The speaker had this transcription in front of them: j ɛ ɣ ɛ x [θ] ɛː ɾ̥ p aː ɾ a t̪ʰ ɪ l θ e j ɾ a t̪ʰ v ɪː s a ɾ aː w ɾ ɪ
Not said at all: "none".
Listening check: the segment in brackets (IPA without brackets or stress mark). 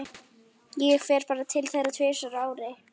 f